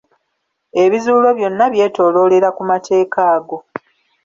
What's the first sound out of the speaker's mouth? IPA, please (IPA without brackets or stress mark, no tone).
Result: e̞